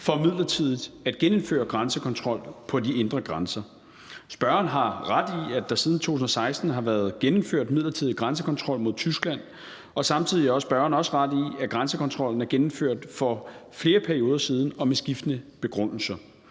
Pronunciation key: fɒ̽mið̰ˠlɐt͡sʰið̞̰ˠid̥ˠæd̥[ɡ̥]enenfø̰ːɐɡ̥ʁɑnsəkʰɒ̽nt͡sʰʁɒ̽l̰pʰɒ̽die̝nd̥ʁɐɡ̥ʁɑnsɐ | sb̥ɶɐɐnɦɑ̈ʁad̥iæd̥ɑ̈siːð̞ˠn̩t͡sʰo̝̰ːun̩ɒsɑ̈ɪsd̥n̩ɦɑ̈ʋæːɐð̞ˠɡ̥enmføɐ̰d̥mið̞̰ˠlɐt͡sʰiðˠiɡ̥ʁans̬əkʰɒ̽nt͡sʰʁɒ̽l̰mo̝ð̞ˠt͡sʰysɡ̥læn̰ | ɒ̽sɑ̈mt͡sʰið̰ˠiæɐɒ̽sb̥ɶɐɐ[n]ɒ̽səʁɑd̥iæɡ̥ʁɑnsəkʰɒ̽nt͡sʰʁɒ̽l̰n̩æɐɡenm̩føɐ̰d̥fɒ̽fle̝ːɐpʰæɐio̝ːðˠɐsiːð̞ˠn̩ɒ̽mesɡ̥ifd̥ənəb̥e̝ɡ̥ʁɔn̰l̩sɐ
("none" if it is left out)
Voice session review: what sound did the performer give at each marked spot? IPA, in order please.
ɡ̥, n

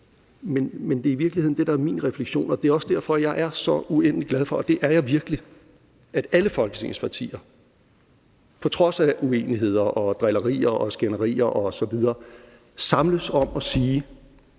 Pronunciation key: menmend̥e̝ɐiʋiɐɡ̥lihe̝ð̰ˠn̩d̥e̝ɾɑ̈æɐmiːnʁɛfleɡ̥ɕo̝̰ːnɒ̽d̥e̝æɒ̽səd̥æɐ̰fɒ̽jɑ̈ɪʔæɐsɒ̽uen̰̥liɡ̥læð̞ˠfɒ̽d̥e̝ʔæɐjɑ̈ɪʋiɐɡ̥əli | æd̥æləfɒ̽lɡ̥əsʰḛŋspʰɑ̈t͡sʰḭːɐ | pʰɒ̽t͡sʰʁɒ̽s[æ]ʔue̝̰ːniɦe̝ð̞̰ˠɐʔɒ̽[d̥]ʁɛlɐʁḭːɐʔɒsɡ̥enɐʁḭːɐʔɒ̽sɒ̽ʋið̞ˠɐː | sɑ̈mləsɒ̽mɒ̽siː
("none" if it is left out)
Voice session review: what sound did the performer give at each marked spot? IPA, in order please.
æ, d̥

